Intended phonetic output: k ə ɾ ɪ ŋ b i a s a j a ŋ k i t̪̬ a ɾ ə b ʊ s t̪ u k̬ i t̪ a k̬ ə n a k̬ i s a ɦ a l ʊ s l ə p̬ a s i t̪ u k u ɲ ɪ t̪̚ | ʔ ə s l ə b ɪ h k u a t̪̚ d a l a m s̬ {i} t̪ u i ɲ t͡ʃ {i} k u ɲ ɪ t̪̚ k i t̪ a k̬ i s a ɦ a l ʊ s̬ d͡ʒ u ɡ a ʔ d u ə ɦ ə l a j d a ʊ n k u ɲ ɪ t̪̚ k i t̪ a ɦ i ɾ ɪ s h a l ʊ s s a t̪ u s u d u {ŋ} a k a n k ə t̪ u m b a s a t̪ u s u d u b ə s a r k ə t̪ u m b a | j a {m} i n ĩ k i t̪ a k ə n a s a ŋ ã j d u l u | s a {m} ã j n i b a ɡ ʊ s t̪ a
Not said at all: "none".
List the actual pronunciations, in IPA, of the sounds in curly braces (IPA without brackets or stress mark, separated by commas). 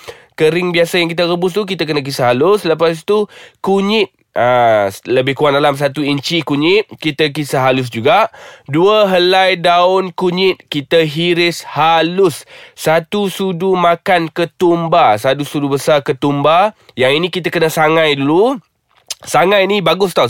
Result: a, i, m, ŋ, ŋ